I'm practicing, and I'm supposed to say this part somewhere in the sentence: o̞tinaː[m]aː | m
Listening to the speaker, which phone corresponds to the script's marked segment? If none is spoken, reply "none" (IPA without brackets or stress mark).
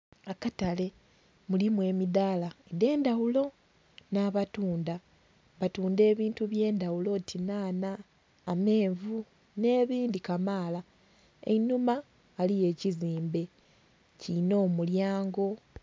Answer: n